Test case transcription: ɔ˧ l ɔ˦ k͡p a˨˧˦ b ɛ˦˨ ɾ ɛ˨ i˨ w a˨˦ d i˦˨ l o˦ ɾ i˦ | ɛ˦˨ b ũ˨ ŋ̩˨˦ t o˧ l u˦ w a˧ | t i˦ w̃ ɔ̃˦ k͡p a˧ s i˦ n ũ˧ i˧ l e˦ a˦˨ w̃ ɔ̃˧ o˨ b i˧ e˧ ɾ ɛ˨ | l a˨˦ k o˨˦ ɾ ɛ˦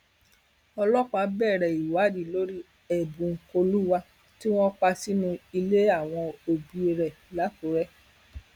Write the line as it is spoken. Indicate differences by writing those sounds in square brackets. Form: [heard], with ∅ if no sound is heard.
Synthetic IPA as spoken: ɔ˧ l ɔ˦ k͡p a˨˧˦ b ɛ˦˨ ɾ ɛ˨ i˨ w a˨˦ d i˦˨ l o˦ ɾ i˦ | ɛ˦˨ b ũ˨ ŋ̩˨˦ [k] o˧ l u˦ w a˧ | t i˦ w̃ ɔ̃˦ k͡p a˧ s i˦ n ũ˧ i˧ l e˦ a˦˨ w̃ ɔ̃˧ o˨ b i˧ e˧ ɾ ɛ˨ | l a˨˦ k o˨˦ ɾ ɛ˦